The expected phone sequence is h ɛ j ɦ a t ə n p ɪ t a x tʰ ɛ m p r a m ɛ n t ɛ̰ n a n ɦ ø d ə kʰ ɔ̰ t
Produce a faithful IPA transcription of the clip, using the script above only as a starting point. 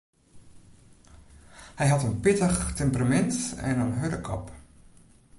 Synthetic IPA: h ɛ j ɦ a t ə n p ɪ t ə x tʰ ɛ m p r a m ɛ n t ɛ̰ n ə n ɦ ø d ə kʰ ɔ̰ p